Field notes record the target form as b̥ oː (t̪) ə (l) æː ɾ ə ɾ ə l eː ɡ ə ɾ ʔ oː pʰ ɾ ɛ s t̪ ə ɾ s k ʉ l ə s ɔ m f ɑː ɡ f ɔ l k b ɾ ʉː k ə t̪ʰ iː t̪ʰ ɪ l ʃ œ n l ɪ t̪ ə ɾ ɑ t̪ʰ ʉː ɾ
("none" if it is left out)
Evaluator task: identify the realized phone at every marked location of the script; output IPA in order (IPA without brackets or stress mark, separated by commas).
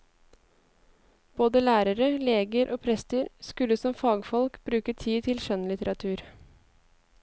d̪, l